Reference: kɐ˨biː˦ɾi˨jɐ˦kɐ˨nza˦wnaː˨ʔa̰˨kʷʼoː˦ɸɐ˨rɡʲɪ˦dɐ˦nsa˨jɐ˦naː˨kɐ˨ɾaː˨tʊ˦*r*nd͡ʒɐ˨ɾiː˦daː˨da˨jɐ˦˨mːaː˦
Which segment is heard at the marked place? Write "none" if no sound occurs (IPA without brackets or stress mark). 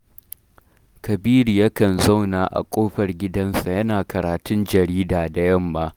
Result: none